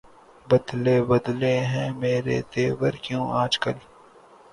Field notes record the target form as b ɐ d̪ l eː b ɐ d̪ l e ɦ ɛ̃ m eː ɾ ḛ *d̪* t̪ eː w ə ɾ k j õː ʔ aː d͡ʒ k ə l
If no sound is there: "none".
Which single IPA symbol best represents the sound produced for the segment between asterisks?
none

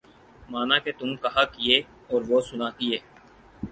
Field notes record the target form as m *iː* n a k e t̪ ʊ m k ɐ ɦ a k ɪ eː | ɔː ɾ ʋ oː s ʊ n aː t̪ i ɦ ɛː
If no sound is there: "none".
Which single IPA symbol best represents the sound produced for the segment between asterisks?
aː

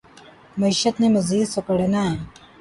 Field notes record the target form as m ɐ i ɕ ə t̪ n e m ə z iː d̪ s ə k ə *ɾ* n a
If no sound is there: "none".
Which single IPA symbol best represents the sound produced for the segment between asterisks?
ɽ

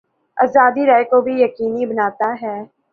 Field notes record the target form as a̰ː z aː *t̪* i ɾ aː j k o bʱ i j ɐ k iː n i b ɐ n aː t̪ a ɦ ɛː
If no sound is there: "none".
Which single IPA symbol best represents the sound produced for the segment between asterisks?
d̪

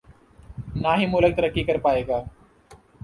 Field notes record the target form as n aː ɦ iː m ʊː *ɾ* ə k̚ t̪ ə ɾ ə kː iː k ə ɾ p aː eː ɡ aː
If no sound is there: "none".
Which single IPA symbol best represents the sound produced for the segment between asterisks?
l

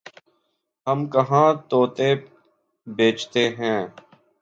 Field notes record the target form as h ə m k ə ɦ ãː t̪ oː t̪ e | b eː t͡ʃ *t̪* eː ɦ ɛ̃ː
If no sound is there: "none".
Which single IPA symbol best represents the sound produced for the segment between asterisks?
t̪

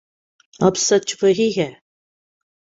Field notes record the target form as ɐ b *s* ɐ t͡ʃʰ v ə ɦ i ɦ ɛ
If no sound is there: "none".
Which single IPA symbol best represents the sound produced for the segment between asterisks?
s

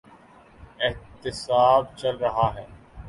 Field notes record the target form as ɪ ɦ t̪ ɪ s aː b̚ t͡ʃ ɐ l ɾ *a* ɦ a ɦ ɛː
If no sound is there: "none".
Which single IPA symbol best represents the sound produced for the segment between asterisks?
ɐ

